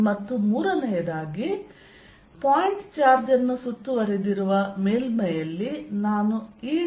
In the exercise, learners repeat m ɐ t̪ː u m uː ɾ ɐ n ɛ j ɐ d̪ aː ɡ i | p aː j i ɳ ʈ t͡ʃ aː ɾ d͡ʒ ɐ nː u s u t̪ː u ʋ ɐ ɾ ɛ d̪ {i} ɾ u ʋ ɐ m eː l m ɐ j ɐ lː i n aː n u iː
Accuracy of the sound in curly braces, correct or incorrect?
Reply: correct